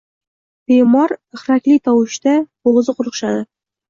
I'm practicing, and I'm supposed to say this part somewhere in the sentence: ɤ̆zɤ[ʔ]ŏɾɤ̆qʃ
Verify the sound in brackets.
incorrect: q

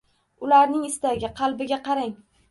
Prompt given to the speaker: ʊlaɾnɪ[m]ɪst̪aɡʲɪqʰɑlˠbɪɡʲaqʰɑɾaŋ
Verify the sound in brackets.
incorrect: ŋ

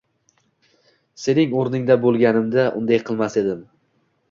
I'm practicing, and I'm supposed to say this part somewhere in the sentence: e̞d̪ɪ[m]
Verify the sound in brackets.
correct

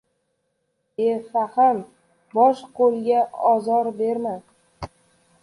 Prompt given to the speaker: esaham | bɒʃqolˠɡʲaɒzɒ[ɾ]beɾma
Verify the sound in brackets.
correct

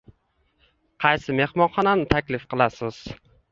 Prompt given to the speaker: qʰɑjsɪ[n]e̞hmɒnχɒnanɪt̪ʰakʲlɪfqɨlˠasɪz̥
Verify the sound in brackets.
incorrect: m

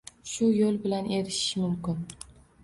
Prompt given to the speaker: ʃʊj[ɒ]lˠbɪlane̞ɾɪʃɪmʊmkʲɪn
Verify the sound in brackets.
incorrect: o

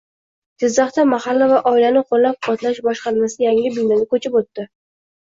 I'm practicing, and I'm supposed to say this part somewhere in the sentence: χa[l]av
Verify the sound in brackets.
incorrect: lː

